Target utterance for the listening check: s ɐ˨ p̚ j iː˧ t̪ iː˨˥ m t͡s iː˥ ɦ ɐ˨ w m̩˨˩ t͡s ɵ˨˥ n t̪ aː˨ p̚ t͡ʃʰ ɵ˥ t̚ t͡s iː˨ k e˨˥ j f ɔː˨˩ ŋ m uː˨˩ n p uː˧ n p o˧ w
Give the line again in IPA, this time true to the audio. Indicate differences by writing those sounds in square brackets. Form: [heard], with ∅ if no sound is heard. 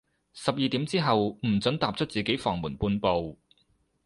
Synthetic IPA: s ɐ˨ p̚ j iː˧ t̪ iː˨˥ m t͡s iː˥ ɦ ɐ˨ w m̩˨˩ t͡s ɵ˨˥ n t̪ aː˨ p̚ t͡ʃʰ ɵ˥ t̚ t͡s iː˨ k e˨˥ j f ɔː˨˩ ŋ m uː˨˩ n p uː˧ n p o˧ w